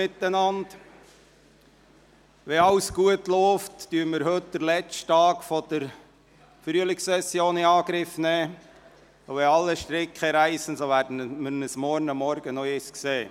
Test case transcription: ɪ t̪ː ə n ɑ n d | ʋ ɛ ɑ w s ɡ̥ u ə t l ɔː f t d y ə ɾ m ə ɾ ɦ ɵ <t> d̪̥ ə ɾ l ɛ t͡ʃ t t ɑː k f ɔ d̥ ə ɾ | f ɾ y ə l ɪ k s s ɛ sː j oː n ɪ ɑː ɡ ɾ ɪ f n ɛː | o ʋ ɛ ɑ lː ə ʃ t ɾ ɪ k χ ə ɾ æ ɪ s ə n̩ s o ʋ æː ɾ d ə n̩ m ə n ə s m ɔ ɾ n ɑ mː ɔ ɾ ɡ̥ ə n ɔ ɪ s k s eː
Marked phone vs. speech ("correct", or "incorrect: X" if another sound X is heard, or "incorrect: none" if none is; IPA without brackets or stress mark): correct